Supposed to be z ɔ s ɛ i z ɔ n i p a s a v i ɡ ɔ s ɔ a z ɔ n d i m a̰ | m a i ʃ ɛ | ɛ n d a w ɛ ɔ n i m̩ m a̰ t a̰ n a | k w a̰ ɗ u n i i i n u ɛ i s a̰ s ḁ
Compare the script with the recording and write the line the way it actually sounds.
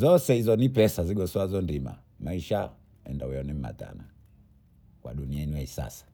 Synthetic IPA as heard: z ɔ s ɛ i z ɔ n i p ɛ s a z i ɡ ɔ s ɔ a z ɔ n d i m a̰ | m a i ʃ a | ɛ n d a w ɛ ɔ n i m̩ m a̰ t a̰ n a | k w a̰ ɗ u n i a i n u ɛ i s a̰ s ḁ